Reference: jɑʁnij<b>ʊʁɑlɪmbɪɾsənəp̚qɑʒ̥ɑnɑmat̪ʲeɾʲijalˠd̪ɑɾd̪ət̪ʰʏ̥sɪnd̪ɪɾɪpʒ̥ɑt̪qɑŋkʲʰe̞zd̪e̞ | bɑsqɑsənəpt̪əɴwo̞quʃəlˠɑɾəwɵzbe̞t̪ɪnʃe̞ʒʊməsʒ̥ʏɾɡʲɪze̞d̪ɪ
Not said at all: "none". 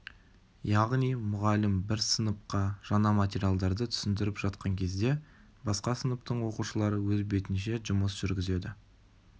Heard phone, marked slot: m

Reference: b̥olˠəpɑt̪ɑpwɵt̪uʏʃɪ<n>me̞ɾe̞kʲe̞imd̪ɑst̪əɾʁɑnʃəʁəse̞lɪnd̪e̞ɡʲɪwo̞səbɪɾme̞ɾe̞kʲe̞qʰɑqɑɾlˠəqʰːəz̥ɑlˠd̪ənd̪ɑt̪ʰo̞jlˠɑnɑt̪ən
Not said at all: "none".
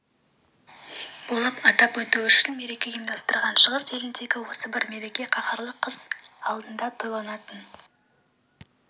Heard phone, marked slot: n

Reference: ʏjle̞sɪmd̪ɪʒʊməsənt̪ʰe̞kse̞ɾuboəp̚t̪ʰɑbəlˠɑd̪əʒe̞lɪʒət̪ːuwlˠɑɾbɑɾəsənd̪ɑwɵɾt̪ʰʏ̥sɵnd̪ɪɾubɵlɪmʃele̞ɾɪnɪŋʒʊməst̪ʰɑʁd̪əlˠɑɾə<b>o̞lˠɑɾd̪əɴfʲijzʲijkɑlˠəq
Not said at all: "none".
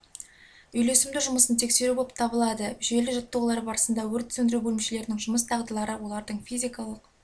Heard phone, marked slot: w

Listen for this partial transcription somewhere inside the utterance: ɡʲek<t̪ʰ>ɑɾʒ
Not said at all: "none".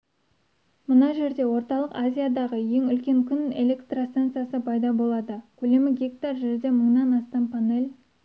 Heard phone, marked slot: t̪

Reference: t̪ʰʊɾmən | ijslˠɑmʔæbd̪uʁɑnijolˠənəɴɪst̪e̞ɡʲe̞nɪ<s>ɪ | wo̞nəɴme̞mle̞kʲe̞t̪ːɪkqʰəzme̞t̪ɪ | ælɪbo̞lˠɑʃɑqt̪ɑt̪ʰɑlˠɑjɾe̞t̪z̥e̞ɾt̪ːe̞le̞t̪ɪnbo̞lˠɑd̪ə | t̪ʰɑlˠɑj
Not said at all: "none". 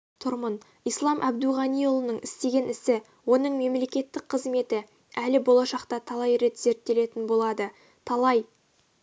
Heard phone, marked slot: s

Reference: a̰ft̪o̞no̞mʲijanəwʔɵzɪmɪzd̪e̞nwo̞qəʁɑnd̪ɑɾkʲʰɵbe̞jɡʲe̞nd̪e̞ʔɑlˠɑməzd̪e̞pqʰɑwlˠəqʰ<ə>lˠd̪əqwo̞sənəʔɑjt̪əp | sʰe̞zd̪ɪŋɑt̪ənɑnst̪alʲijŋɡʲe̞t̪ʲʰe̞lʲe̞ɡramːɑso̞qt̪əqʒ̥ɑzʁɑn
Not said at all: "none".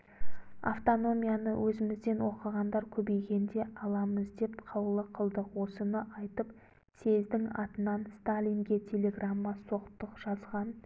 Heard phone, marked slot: ə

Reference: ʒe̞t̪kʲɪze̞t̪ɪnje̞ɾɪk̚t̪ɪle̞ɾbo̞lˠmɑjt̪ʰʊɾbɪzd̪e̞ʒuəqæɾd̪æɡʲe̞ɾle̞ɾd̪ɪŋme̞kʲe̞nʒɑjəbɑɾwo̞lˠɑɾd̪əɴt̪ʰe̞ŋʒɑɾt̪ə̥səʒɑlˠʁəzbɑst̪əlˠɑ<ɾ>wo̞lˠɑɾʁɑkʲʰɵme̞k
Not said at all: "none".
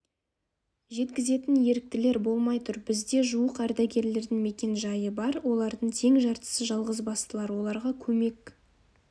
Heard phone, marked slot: ɾ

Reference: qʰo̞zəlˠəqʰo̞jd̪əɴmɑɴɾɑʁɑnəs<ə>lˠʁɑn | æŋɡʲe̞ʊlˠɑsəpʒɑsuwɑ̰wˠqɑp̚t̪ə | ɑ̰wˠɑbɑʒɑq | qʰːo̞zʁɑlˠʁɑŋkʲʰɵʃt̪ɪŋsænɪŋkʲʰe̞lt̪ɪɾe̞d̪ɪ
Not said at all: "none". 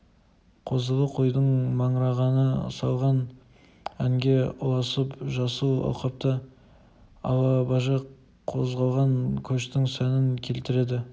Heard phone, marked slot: ɑ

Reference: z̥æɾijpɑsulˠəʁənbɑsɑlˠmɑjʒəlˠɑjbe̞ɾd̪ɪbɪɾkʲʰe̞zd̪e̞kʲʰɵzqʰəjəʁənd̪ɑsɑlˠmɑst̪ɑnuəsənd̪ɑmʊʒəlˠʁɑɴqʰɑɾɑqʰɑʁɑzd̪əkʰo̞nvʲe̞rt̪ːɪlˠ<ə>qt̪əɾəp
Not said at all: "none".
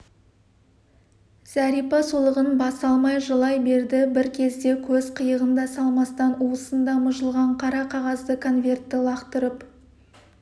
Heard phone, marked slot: ɑ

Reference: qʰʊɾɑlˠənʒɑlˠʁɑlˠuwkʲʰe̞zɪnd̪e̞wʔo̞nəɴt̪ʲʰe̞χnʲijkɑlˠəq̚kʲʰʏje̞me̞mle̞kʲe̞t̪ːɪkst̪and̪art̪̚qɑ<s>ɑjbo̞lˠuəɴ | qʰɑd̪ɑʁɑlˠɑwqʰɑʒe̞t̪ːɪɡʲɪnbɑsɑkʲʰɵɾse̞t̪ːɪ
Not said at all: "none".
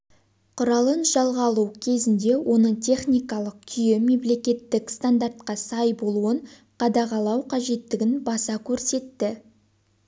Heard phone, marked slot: s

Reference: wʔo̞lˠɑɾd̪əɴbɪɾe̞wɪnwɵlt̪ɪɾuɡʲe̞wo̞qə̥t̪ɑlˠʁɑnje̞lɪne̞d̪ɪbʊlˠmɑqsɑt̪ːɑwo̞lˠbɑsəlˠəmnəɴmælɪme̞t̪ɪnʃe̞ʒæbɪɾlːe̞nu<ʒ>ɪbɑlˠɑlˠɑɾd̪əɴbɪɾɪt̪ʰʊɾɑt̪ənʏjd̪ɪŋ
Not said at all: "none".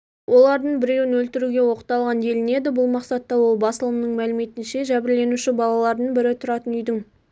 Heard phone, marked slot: ʃ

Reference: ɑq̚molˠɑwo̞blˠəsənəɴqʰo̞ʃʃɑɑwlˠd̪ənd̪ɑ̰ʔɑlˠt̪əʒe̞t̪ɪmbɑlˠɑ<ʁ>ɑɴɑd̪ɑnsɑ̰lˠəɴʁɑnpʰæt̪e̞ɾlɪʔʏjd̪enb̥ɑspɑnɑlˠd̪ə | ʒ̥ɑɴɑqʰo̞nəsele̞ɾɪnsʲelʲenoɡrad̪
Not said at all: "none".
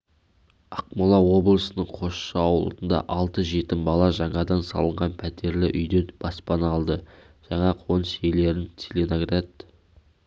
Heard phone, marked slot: ʒ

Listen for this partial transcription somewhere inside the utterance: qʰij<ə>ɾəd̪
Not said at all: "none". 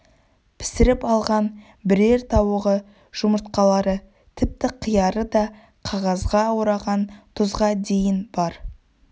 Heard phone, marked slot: ɑ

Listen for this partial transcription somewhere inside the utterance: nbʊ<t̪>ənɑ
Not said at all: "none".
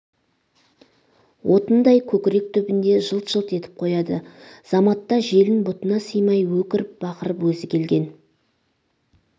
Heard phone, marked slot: t̪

